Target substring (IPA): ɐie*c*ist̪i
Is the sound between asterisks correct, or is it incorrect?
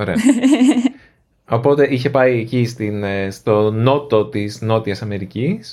correct